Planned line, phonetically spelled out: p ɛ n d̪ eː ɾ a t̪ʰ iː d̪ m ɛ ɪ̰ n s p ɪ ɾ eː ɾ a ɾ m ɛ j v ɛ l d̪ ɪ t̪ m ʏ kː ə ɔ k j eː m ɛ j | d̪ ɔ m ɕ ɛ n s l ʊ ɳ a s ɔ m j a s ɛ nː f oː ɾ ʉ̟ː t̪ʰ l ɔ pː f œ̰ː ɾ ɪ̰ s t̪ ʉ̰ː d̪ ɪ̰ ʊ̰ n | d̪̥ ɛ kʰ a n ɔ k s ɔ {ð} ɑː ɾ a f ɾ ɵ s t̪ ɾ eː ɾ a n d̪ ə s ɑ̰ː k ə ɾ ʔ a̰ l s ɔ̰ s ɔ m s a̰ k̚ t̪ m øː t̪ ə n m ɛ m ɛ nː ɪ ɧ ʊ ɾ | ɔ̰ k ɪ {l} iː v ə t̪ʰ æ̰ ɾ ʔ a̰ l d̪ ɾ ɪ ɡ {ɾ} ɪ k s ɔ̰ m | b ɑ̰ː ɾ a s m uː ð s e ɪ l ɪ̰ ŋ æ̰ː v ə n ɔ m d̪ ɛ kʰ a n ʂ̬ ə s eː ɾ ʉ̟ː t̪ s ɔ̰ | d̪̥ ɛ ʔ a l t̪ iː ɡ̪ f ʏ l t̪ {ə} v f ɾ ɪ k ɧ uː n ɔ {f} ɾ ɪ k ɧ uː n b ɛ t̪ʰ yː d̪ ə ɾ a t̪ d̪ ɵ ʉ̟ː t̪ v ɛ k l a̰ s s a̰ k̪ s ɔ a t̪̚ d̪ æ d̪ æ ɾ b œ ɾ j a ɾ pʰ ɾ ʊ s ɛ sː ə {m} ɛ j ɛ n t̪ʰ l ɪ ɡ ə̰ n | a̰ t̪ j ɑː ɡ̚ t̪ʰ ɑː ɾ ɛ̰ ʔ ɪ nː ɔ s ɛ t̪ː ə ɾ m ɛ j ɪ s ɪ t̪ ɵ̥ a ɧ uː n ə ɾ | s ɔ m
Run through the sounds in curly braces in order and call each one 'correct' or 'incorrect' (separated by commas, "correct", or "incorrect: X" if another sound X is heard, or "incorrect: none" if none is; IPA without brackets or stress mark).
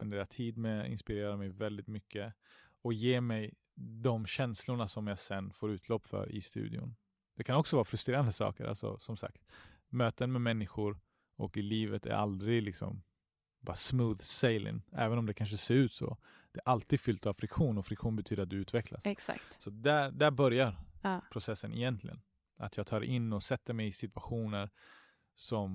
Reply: incorrect: v, correct, incorrect: l, incorrect: a, correct, incorrect: n